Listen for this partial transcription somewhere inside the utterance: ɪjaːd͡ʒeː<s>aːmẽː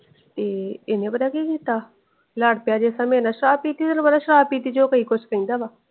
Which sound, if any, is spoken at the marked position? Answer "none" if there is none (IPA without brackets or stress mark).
s